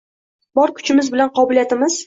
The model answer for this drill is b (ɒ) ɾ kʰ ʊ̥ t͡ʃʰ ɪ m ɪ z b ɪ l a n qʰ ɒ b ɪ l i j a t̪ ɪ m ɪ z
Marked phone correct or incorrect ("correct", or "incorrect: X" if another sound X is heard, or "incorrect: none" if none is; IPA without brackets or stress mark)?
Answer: correct